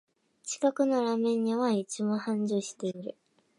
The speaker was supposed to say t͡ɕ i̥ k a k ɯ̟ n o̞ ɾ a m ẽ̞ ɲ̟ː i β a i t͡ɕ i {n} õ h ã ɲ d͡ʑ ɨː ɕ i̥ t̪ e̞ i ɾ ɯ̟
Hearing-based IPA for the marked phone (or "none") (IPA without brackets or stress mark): m